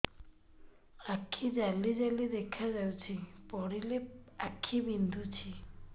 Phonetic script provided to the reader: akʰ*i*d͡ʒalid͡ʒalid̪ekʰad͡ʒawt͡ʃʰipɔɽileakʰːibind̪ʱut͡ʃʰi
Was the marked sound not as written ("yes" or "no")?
no